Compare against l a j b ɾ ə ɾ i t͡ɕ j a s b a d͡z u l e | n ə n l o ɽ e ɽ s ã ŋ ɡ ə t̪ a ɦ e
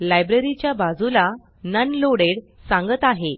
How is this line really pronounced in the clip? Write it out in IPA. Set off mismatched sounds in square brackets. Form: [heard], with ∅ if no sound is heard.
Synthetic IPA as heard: l a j b ɾ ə ɾ i t͡ɕ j a [∅] b a d͡z u l [a] | n ə n l o ɽ e ɽ s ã ŋ ɡ ə t̪ a ɦ e